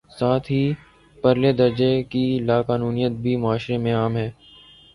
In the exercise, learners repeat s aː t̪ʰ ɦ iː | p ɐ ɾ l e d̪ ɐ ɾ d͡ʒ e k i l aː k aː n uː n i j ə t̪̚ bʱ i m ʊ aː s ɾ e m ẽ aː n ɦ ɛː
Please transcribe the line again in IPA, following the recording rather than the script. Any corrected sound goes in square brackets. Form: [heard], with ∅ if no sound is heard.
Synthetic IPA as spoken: s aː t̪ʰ ɦ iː | p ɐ ɾ l e d̪ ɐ ɾ d͡ʒ e k i l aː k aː n uː n i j ə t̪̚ bʱ i m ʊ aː [ʃ] ɾ e m ẽ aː [m] ɦ ɛː